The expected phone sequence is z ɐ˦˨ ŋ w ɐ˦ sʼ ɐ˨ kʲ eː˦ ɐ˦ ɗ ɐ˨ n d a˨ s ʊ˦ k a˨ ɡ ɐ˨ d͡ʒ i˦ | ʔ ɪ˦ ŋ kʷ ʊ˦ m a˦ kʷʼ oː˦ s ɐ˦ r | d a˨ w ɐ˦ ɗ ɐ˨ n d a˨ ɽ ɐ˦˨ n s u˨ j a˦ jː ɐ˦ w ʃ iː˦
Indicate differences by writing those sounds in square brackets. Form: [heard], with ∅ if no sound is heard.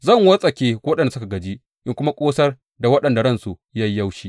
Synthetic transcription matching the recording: z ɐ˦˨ ŋ w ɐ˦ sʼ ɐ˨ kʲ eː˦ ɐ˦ ɗ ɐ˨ n d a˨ s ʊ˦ k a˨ ɡ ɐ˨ d͡ʒ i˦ | ʔ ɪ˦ ŋ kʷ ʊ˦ m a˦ kʷʼ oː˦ s ɐ˦ r | d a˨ w ɐ˦ ɗ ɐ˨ n d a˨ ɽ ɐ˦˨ n s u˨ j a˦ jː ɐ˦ w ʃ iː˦